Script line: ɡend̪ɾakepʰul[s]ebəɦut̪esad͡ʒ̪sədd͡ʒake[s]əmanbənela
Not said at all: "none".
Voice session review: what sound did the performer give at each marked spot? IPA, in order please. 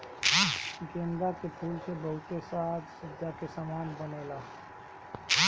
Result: s, s

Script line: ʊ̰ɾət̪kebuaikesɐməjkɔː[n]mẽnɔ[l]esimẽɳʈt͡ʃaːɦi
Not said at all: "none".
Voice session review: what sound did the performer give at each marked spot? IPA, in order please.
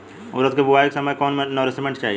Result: n, ɾ

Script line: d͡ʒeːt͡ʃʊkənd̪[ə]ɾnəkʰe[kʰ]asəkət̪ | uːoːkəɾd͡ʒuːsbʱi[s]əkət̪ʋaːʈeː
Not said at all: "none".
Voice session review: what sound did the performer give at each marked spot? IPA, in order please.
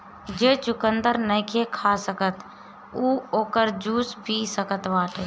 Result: ə, kʰ, s

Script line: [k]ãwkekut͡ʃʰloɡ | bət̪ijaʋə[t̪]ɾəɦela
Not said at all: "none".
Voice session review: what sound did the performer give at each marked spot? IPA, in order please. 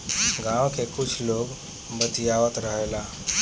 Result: ɡ, t̪

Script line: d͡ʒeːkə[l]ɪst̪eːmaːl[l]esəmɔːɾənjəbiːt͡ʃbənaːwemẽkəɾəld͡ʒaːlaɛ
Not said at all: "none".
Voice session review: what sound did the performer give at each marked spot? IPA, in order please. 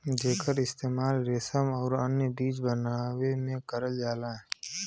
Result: ɾ, ɾ

